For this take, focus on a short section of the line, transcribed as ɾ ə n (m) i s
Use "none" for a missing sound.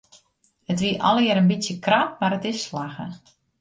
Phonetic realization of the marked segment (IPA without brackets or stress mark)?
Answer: b